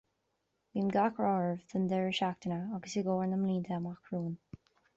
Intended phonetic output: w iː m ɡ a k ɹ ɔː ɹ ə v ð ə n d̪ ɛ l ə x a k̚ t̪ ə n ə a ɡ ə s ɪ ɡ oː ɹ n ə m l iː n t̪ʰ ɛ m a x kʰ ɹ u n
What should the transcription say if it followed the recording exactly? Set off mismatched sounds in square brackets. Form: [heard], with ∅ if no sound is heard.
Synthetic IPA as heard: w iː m ɡ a k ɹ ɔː ɹ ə v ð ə n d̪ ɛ [ɹ] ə [ʃ] a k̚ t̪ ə n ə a ɡ ə s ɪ ɡ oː ɹ n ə m l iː n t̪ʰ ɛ m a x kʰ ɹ [uː] n